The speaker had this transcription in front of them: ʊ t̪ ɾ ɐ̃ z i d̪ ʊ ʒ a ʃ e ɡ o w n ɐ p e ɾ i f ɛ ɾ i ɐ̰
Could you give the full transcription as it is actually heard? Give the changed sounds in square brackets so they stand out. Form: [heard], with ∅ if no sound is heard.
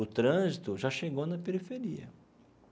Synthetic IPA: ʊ t̪ ɾ ɐ̃ z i [t̪] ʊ ʒ a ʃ e ɡ o w n ɐ p e ɾ i f [e] ɾ i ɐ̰